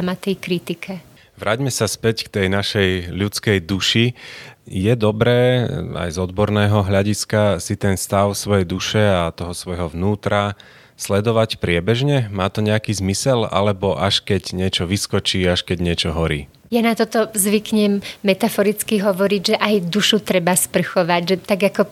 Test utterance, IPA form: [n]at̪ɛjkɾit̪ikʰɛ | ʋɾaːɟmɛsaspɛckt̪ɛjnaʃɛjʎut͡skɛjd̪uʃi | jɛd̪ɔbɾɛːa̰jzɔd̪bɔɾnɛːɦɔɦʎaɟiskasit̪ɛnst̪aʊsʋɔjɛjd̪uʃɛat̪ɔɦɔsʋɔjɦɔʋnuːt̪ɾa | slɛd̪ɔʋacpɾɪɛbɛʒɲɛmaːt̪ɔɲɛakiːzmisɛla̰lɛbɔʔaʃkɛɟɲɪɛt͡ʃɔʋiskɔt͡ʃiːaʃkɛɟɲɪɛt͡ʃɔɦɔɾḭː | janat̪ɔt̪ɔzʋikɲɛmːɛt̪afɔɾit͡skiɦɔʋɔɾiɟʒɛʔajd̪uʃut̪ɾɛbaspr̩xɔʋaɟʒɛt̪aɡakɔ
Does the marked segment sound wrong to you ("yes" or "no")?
yes